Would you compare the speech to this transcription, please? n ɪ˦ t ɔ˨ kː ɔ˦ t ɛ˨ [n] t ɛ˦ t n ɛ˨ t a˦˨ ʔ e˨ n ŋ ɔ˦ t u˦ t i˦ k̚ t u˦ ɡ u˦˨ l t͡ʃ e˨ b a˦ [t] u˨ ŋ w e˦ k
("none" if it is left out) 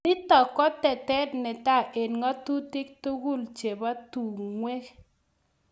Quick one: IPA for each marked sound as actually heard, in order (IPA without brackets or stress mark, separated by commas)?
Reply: none, t